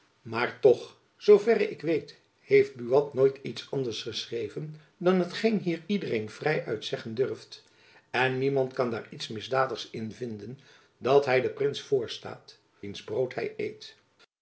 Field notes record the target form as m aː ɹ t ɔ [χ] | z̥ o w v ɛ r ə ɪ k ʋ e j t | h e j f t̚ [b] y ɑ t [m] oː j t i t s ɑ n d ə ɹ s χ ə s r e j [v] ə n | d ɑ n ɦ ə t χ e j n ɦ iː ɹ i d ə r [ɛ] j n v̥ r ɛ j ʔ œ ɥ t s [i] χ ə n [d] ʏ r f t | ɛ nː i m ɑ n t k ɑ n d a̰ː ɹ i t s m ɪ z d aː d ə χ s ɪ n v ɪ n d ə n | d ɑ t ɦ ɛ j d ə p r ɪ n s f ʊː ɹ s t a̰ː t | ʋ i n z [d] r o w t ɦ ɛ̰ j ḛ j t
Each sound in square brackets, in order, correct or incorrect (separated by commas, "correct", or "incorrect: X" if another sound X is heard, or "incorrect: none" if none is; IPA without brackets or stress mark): correct, correct, incorrect: n, correct, incorrect: e, incorrect: ɛ, correct, incorrect: b